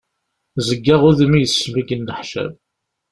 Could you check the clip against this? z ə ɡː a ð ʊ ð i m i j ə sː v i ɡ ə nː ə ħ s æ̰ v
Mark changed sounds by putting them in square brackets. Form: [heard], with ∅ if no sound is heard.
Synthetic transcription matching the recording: z ə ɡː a [ʁ] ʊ ð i m i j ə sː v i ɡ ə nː ə ħ [ʃ] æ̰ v